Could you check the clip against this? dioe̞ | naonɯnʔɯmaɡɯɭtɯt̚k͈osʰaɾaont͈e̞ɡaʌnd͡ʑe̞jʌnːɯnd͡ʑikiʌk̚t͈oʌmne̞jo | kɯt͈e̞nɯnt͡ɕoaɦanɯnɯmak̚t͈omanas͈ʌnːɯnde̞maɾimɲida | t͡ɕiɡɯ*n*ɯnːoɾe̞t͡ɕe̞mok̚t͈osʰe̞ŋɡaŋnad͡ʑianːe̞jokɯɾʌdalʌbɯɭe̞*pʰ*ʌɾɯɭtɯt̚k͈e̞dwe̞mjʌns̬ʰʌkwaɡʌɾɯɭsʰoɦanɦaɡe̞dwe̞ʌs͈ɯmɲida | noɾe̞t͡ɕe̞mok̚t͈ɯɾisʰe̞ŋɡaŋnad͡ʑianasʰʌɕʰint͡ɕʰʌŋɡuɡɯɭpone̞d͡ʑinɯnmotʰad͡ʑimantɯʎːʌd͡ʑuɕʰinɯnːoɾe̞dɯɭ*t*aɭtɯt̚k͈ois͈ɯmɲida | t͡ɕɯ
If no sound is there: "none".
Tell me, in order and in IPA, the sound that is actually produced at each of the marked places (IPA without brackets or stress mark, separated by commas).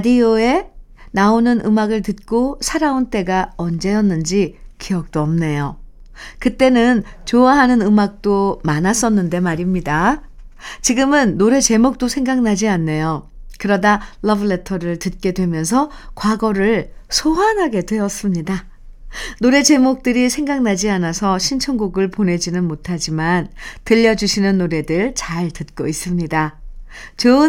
m, tʰ, t͡ɕ